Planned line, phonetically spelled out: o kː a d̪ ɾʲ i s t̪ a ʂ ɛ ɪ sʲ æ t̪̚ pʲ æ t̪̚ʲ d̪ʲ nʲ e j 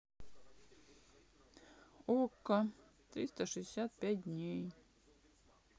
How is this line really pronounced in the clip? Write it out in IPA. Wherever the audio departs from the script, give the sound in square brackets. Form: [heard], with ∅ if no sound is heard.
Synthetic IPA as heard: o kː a [t̪] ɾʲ i s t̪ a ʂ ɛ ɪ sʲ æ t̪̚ pʲ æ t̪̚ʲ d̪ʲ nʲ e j